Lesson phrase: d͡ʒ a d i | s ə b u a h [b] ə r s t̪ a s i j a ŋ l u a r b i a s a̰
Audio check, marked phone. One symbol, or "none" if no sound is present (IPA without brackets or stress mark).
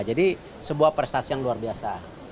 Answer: p